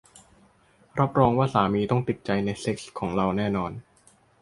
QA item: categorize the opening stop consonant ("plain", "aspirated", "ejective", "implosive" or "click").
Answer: plain